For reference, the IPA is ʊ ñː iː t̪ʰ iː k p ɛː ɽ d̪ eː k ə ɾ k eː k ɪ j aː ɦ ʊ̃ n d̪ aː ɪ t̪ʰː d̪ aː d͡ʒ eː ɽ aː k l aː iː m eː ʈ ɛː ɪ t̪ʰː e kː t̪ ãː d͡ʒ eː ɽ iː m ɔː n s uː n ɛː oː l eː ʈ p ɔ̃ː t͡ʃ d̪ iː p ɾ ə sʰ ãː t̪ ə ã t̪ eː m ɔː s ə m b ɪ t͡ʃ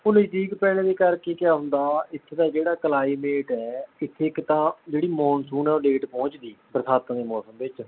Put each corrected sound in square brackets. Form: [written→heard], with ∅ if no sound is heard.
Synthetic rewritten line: ʊ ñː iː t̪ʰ iː k p ɛː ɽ d̪ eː k ə ɾ k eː k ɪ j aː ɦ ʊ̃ n d̪ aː ɪ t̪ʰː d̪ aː d͡ʒ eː ɽ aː k l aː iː m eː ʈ ɛː ɪ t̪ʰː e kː t̪ ãː d͡ʒ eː ɽ iː m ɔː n s uː n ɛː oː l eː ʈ p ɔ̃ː t͡ʃ d̪ iː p ɾ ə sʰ [ãː→aː] t̪ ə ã [t̪→d̪] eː m ɔː s ə m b ɪ t͡ʃ